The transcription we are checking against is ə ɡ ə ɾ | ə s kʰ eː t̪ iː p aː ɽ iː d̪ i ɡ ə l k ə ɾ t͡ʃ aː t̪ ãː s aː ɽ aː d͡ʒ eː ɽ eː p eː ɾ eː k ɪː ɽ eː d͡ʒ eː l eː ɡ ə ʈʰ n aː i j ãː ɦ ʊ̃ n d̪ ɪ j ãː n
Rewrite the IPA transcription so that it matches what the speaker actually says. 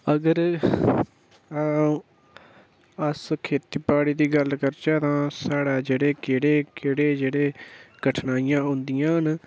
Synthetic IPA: ə ɡ ə ɾ | ə s kʰ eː t̪ iː p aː ɽ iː d̪ iː ɡ ə l k ə ɾ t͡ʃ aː t̪ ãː s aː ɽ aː d͡ʒ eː ɽ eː k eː ɽ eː k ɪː ɽ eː d͡ʒ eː ɽ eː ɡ ə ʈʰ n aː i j ãː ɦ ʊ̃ n d̪ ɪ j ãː n